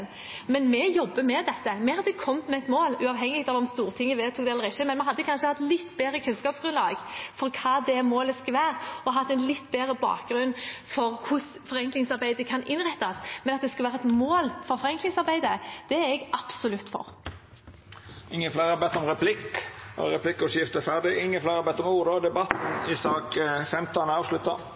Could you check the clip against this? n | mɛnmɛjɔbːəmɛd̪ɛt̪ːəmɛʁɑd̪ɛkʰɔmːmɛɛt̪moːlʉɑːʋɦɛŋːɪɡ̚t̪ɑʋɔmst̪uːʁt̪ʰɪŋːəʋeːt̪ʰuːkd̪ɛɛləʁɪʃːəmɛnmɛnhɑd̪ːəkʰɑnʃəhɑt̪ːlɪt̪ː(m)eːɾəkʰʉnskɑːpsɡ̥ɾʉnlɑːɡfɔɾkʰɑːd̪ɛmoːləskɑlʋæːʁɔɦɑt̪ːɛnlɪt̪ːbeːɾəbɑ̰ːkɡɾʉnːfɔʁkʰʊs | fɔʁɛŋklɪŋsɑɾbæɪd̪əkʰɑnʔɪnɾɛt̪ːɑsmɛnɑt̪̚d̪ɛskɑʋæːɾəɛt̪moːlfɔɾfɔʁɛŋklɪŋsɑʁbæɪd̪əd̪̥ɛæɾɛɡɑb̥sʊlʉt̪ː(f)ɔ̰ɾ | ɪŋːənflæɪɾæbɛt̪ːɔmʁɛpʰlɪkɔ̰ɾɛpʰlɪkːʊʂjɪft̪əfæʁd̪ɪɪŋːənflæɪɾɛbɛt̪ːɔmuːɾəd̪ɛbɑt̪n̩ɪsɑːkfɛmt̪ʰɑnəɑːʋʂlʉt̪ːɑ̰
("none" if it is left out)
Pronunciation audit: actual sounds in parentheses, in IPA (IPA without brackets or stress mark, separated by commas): b, f